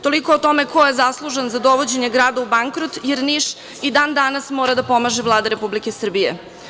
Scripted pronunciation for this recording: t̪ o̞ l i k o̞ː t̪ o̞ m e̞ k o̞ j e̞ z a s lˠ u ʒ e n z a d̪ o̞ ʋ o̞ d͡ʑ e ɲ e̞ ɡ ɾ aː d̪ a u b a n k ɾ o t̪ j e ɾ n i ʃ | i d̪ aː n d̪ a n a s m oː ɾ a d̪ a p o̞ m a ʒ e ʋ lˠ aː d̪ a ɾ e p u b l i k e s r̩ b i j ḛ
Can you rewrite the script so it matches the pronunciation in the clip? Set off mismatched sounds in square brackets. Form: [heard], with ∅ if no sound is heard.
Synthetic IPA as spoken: t̪ o̞ l i k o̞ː t̪ o̞ m e̞ k o̞ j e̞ z a s lˠ u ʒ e n z a d̪ o̞ ʋ o̞ d͡ʑ e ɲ e̞ ɡ ɾ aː d̪ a u b a [ŋ] k ɾ o t̪ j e ɾ n i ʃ | i d̪ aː n d̪ a n a s m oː ɾ a d̪ a p o̞ m a ʒ e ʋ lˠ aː d̪ a ɾ e p u b l i k e s r̩ b i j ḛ